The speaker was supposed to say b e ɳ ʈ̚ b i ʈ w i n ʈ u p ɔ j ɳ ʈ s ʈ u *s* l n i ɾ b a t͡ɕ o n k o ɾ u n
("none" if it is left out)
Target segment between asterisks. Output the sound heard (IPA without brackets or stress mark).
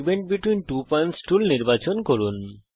none